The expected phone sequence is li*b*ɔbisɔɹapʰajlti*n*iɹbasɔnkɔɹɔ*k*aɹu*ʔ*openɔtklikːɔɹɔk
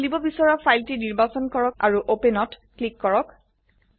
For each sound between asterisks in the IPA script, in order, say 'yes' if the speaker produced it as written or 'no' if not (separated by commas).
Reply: yes, yes, yes, yes